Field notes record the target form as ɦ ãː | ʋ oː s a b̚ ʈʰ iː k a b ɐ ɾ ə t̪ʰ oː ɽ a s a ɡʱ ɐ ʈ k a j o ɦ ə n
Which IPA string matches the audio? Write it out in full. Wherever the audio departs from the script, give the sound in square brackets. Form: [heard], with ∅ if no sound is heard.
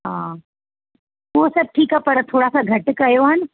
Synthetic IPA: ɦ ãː | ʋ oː s [ɐ] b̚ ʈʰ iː k a [p] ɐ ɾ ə t̪ʰ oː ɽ a s a ɡʱ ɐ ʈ k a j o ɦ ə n